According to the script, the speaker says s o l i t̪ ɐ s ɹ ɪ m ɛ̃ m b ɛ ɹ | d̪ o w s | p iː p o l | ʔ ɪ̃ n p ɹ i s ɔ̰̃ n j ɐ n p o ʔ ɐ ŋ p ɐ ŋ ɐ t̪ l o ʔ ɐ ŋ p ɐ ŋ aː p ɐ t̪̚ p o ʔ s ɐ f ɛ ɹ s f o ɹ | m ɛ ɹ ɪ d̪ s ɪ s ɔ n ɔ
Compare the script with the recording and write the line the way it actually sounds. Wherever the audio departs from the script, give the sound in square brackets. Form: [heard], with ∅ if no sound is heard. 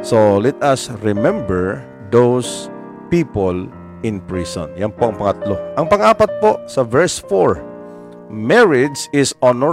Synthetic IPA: s o l [ɛ] t̪ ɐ s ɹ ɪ m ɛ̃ m b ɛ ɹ | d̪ o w s | p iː p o l | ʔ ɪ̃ n p ɹ i s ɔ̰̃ n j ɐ n p o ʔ ɐ ŋ p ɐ ŋ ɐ t̪ l o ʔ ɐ ŋ p ɐ ŋ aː p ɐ t̪̚ p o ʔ s ɐ [v] ɛ ɹ s f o ɹ | m ɛ ɹ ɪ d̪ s ɪ s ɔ n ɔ